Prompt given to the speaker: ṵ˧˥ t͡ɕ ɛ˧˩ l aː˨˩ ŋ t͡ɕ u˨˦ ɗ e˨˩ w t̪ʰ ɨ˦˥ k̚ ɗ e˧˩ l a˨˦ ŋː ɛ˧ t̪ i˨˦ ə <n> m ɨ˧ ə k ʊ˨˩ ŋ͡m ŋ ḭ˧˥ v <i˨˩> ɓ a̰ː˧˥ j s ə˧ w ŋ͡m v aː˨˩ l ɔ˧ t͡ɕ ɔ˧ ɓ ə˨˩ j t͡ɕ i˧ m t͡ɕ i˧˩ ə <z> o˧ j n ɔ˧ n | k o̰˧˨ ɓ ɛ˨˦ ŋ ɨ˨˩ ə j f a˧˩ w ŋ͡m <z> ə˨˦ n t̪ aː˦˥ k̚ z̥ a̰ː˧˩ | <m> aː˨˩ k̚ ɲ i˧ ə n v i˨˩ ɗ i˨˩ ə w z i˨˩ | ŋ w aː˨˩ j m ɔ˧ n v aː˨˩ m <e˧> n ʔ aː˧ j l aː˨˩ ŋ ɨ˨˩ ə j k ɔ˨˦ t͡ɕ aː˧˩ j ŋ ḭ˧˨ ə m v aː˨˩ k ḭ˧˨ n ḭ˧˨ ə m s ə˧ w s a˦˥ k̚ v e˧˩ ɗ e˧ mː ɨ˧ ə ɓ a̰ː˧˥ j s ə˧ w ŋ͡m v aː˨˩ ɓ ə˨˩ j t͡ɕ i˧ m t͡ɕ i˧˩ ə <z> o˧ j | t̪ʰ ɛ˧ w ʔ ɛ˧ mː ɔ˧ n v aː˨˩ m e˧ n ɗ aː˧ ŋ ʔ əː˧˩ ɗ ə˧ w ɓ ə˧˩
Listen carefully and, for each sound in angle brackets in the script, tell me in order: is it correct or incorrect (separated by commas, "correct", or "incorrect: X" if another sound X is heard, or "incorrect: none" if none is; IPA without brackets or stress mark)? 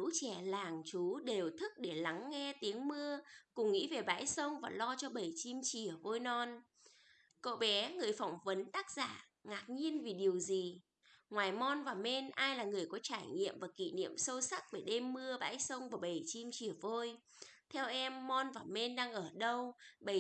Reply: incorrect: ŋ, incorrect: e˨˩, incorrect: v, incorrect: v, incorrect: ŋ, correct, incorrect: v